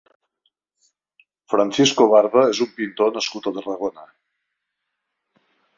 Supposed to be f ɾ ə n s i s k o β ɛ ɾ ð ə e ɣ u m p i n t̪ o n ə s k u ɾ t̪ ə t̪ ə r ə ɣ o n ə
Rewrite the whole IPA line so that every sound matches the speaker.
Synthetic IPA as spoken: f ɾ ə n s i s k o β a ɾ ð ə e z u m p i n t̪ o n ə s k u t̪ ə t̪ ə r ə ɣ o n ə